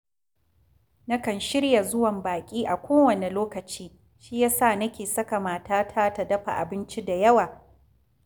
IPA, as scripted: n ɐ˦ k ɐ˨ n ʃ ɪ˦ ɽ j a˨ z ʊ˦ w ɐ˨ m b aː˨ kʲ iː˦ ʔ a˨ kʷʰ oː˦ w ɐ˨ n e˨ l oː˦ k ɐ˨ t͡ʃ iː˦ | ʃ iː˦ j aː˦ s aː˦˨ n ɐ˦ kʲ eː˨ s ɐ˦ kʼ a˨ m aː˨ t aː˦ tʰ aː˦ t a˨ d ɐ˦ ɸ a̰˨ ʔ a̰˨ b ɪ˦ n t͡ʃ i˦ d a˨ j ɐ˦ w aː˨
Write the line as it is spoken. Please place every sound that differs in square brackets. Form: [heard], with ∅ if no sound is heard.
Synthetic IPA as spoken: n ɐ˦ k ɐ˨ n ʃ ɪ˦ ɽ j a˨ z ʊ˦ w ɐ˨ m b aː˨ [kʲʼ] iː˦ ʔ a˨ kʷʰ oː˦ w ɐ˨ n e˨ l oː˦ k ɐ˨ t͡ʃ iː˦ | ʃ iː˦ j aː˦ s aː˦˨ n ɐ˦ kʲ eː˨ s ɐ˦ [k] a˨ m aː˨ t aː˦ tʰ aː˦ t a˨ d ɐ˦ ɸ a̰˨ ʔ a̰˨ b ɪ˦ n t͡ʃ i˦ d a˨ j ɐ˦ w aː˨

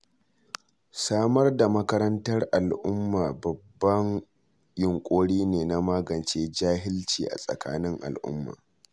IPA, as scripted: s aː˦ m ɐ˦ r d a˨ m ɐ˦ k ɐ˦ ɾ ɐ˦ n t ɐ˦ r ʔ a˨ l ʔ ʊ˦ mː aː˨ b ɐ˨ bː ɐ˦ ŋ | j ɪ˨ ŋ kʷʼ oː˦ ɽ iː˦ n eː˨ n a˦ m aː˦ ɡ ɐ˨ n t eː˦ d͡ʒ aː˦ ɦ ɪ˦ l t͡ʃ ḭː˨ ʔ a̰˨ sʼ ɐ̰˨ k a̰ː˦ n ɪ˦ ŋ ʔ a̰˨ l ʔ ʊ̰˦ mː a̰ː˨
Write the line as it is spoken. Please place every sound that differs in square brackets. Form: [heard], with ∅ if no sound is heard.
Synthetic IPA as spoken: s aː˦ m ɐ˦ r d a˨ m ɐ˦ k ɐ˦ ɾ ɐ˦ n t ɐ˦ r ʔ a˨ l ʔ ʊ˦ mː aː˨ b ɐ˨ bː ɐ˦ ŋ | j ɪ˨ ŋ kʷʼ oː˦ ɽ iː˦ n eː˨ n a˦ m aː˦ ɡ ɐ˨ n [t͡ʃ] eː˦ d͡ʒ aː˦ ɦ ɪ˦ l t͡ʃ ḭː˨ ʔ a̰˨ sʼ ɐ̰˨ k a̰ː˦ n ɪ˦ ŋ ʔ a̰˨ l ʔ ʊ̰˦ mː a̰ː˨

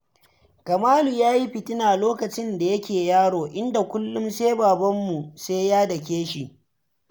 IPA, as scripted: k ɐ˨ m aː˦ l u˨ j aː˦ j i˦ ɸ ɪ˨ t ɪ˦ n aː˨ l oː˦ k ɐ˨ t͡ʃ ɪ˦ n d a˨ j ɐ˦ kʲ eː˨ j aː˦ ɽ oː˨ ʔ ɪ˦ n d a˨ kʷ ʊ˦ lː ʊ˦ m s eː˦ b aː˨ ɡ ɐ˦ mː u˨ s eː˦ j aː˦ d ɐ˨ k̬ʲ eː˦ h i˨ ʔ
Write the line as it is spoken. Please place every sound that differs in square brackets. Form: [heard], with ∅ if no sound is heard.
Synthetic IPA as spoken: k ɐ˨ m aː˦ l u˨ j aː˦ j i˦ ɸ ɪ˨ t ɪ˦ n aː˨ l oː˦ k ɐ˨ t͡ʃ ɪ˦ n d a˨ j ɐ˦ kʲ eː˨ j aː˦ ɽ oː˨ ʔ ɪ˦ n d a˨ kʷ ʊ˦ lː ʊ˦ m s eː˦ b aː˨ [b] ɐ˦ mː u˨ s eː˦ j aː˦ d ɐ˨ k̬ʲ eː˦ [ʃ] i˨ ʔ

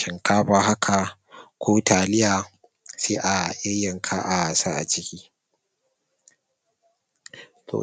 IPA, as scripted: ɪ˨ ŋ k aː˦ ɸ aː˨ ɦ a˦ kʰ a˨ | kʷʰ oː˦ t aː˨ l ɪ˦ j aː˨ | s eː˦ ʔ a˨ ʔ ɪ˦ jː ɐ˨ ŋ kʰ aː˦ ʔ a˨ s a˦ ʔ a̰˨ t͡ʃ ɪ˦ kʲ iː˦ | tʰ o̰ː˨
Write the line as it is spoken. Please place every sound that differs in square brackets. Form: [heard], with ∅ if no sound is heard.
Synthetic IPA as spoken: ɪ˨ ŋ k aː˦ ɸ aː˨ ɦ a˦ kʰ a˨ | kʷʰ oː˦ t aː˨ l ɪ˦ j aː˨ | s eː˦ ʔ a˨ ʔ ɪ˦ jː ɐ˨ ŋ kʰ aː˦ ʔ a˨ s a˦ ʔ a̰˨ t͡ʃ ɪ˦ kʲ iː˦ | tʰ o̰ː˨

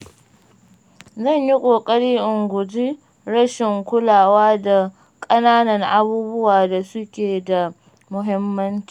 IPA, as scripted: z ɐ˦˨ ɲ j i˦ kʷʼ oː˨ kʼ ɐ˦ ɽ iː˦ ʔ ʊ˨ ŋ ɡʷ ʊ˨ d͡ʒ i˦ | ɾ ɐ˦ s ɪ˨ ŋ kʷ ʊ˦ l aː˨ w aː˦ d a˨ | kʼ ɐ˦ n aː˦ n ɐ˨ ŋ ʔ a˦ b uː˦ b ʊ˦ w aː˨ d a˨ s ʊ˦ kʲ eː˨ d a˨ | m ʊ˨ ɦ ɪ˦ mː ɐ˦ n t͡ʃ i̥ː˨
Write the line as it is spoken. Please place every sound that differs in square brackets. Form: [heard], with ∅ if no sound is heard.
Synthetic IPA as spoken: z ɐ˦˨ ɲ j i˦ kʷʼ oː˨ kʼ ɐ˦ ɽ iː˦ ʔ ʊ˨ ŋ ɡʷ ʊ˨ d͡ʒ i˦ | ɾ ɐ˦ [ʃ] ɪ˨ ŋ kʷ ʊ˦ l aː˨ w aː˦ d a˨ | kʼ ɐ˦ n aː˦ n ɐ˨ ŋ ʔ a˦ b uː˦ b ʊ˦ w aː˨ d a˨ s ʊ˦ kʲ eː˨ d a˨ | m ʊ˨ ɦ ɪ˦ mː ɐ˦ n t͡ʃ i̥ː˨

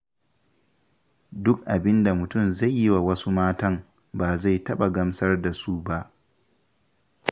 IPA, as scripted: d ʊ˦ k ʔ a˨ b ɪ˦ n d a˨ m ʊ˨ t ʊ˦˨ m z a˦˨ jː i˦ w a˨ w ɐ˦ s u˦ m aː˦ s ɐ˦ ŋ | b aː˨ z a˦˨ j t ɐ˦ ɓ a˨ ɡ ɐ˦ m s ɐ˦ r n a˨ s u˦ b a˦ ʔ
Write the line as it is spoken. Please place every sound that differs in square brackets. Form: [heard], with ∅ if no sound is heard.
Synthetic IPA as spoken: d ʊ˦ k ʔ a˨ b ɪ˦ n d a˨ m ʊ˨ t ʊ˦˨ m z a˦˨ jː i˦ w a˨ w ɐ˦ s u˦ m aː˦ [t] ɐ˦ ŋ | b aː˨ z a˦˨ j t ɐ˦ ɓ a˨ ɡ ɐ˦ m s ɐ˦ r [d] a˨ s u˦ b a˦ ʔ

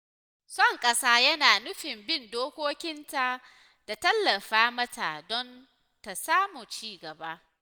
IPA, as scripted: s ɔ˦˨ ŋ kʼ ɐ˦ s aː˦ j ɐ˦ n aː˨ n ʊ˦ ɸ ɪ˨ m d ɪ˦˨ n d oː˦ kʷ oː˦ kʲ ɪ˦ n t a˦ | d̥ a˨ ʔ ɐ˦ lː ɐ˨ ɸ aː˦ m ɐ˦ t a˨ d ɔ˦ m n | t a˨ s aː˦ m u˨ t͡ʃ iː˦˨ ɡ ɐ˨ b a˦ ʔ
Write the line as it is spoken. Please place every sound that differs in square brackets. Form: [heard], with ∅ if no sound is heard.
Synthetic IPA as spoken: s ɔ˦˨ ŋ kʼ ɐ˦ s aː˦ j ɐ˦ n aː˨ n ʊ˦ ɸ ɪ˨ m [b] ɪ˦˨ n d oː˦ kʷ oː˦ kʲ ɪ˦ n t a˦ | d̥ a˨ [t] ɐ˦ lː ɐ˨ ɸ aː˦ m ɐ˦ t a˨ d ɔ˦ [∅] n | t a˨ s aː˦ m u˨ t͡ʃ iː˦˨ ɡ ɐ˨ b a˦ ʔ

